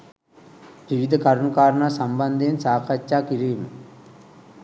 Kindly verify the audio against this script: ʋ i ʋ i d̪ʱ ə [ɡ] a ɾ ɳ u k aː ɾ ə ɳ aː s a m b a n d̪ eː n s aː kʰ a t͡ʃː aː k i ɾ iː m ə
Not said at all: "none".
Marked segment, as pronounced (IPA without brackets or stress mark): k